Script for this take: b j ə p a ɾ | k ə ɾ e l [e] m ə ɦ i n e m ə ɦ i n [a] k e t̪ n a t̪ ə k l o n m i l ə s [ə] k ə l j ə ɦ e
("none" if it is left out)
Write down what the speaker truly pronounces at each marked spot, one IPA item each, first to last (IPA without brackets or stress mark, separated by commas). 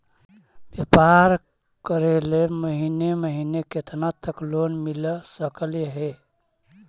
e, e, ə